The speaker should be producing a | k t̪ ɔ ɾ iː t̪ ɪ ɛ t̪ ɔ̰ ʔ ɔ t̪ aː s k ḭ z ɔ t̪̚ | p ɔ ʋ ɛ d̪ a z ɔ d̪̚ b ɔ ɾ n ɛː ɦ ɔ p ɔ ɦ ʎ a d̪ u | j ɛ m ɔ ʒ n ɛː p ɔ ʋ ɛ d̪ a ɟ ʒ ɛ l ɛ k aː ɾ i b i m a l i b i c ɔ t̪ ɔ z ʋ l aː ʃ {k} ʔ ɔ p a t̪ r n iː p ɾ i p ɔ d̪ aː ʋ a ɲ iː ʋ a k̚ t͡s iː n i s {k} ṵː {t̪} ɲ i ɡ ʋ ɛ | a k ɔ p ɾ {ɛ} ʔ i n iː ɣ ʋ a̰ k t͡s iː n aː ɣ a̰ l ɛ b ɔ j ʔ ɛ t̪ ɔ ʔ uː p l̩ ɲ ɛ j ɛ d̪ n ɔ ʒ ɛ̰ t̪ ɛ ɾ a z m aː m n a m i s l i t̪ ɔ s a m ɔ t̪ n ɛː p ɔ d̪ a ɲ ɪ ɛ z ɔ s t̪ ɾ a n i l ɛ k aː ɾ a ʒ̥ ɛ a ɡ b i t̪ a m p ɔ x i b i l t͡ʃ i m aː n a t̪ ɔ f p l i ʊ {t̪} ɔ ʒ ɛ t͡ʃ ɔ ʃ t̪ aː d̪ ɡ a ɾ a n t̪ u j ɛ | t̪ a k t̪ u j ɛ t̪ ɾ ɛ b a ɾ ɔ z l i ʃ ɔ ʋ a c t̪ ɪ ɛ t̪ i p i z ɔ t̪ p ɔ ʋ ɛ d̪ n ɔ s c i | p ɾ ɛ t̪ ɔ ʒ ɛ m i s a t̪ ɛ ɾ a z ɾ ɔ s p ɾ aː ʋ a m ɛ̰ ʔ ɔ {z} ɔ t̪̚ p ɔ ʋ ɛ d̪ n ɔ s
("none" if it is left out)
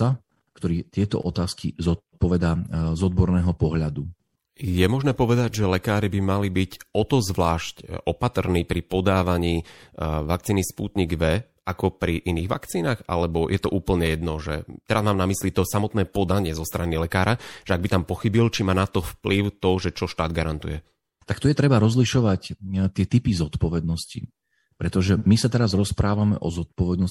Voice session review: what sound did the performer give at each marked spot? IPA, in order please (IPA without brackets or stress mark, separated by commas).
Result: c, p, t̪, i, t̪, z